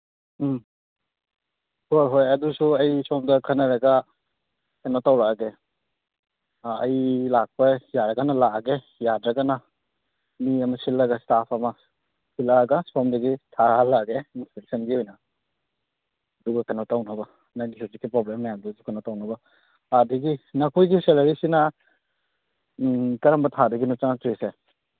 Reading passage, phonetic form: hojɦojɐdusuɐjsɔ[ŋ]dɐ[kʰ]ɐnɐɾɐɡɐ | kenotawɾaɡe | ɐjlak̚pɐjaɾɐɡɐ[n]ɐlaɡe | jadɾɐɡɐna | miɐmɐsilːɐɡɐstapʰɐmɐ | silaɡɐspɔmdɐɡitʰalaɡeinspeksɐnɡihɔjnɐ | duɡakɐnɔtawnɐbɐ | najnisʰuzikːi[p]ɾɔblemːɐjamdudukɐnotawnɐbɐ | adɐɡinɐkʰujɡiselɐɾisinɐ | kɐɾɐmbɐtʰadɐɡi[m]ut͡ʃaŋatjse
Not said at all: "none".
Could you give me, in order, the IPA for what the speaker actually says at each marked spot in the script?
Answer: m, kʰ, n, p, n

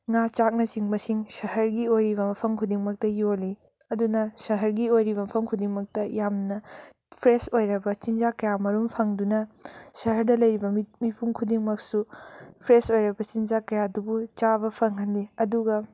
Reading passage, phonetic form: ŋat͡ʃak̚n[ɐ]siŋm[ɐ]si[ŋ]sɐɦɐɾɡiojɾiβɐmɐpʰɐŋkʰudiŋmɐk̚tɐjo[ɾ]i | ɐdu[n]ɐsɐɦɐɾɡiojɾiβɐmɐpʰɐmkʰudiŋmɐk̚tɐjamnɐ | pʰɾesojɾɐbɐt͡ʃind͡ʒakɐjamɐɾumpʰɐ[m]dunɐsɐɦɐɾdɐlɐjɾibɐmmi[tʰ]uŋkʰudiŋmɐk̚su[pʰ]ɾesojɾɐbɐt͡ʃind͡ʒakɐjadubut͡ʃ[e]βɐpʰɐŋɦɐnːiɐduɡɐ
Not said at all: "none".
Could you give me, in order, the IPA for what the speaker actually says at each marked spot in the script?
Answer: ɐ, ɐ, ŋ, l, n, ŋ, pʰ, pʰ, a

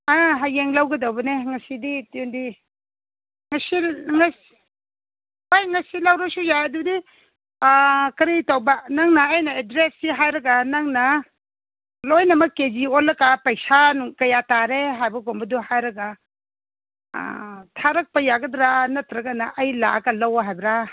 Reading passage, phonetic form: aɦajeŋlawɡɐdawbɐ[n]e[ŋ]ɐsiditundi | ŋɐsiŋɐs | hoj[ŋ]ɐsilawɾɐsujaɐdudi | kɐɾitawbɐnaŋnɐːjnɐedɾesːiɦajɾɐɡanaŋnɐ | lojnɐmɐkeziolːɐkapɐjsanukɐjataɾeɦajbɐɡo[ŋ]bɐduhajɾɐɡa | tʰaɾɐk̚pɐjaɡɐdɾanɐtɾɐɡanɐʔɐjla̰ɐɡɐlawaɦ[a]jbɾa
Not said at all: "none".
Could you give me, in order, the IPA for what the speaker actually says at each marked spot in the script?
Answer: n, ŋ, ŋ, m, a

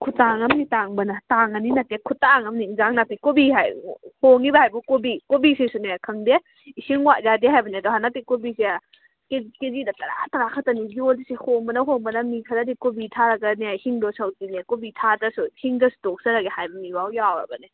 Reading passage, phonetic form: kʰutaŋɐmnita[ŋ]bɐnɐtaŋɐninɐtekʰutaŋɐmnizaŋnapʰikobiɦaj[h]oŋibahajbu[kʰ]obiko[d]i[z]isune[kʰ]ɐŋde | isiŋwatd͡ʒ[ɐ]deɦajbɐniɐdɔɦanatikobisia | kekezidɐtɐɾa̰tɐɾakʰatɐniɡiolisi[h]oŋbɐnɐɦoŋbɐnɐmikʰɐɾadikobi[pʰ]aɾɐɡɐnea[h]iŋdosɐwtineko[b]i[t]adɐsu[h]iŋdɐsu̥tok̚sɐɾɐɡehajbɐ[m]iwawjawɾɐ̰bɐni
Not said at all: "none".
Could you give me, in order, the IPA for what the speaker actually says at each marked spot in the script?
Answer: ŋ, h, k, b, s, kʰ, a, h, tʰ, h, b, tʰ, h, m

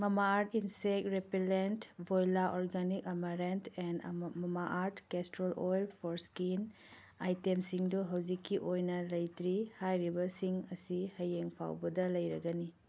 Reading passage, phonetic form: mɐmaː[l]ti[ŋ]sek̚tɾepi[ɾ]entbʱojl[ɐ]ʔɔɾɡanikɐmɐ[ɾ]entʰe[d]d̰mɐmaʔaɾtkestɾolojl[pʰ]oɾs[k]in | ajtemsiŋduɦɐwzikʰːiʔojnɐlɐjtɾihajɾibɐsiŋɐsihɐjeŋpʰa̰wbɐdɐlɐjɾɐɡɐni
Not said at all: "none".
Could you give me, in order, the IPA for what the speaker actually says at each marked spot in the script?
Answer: ɾ, n, l, a, ɾ, n, pʰ, k

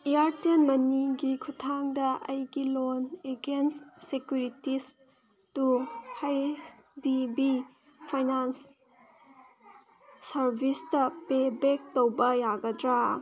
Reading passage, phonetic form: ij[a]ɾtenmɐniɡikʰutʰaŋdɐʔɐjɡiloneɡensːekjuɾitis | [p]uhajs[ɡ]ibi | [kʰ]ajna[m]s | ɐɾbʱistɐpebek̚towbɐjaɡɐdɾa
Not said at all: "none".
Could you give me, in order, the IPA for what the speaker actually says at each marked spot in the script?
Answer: a, t, d, pʰ, n

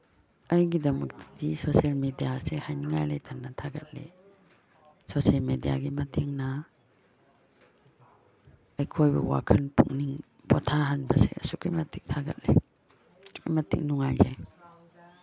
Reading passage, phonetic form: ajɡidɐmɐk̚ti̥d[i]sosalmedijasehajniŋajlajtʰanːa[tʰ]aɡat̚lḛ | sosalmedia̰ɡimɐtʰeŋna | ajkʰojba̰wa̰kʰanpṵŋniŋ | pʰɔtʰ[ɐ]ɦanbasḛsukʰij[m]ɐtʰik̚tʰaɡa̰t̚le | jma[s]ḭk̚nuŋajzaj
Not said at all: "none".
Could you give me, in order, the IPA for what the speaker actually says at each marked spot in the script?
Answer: i, tʰ, a, m, t

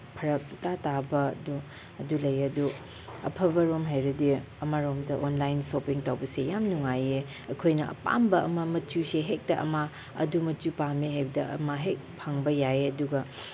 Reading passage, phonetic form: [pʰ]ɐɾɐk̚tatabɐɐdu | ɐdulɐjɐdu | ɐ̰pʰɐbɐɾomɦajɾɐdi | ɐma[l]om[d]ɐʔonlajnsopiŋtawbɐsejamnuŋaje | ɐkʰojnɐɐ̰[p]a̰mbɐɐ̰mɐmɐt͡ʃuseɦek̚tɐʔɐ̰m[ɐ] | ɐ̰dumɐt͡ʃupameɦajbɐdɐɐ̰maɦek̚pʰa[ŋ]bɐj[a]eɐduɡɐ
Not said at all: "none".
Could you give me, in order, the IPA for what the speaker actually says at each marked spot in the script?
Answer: pʰ, ɾ, d, p, a, ŋ, a

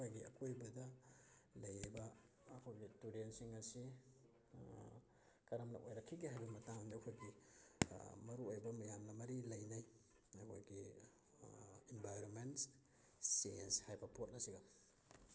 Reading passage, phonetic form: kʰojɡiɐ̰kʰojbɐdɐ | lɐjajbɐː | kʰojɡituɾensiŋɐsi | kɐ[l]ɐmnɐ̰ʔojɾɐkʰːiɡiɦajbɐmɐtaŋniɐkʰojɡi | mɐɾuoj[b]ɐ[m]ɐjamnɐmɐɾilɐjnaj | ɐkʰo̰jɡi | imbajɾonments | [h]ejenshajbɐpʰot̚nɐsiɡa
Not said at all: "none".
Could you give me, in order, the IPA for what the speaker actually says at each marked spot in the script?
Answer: ɾ, b, m, s

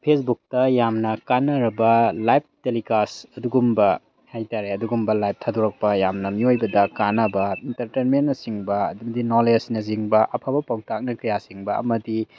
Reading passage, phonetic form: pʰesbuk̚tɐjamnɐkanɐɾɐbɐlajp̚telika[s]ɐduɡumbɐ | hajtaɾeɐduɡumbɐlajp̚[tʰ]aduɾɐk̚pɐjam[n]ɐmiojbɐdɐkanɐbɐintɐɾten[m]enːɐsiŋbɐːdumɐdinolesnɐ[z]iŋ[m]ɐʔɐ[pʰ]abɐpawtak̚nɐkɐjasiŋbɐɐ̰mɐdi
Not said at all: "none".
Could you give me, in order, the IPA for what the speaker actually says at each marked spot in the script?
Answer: s, tʰ, n, m, z, b, pʰ

